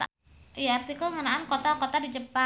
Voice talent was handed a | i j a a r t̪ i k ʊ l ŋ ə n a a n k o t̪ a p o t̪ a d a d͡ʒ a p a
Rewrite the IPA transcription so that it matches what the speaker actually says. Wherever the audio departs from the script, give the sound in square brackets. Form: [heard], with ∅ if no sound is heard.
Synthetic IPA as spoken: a | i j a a r t̪ i k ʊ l ŋ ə n a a n k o t̪ a [k] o t̪ a d [i] d͡ʒ [ə] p a